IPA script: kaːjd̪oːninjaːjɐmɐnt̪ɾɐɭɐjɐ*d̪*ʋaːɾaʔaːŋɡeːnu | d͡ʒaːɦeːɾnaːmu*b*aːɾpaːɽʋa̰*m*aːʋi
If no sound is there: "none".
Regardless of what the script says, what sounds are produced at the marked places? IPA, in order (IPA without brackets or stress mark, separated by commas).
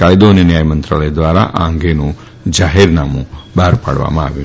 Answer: d̪, b, m